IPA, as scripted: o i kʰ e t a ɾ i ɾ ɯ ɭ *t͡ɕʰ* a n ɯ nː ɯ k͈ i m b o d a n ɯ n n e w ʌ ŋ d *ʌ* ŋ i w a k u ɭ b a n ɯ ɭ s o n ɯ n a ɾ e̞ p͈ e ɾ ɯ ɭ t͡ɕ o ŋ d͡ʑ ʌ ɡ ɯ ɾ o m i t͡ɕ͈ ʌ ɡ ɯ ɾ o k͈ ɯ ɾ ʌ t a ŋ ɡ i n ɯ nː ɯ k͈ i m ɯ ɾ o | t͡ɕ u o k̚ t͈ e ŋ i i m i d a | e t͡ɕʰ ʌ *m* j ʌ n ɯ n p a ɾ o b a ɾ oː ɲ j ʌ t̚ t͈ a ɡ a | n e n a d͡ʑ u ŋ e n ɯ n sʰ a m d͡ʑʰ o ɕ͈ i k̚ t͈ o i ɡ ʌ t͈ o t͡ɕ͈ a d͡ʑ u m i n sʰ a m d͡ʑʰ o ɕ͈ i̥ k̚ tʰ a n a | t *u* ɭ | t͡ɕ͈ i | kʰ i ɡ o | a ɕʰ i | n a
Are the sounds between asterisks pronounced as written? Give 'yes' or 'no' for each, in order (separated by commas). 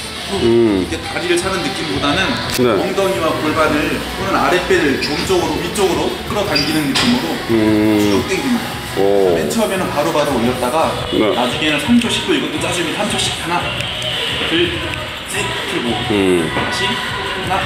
yes, yes, yes, no